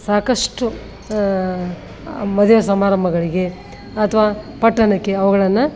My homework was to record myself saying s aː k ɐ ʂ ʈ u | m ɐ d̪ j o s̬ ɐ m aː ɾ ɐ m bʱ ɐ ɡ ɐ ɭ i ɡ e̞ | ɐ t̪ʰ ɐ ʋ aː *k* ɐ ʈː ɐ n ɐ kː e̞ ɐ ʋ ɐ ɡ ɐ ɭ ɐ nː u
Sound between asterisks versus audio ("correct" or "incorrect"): incorrect